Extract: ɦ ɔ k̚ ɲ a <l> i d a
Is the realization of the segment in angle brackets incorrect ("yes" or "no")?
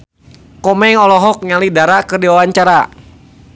no